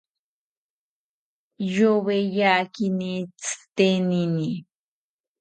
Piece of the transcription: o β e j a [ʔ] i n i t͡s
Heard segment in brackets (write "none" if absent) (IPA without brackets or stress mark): k